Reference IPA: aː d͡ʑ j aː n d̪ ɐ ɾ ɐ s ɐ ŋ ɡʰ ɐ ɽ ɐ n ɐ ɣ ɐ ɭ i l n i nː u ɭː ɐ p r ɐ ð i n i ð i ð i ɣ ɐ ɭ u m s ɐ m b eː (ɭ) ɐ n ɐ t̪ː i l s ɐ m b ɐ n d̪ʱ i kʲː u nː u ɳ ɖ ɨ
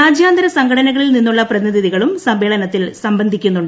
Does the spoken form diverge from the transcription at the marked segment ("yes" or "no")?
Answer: no